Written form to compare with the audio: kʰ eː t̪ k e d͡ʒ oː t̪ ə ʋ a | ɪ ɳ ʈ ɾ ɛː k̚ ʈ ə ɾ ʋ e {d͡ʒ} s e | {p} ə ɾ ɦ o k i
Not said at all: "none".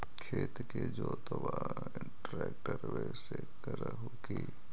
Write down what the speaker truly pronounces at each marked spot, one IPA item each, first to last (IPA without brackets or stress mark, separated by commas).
none, k